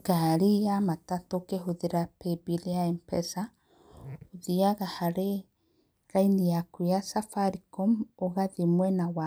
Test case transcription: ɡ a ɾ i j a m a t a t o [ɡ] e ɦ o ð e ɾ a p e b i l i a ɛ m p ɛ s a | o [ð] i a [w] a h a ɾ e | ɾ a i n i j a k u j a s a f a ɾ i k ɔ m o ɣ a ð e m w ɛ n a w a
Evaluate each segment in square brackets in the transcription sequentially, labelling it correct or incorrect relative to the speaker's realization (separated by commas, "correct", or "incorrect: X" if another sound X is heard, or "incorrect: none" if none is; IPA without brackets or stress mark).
incorrect: k, correct, incorrect: ɣ